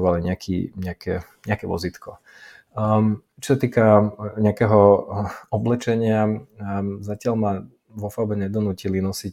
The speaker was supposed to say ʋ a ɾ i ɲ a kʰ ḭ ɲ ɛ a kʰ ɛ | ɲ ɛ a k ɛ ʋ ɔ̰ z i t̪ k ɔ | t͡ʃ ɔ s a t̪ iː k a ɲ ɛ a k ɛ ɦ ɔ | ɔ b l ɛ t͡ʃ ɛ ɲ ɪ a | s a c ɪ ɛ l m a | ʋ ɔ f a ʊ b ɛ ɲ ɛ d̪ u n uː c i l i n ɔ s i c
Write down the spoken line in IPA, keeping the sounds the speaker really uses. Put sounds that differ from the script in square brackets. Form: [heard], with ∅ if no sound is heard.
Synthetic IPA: ʋ a [l] i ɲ a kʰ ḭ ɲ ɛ a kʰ ɛ | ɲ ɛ a k ɛ ʋ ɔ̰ z i t̪ k ɔ | t͡ʃ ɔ s a t̪ iː k a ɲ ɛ a k ɛ ɦ ɔ | ɔ b l ɛ t͡ʃ ɛ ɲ ɪ a | [z] a c ɪ [a] l m a | ʋ ɔ f a ʊ b ɛ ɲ ɛ d̪ [ɔ] n uː c i l i n ɔ s i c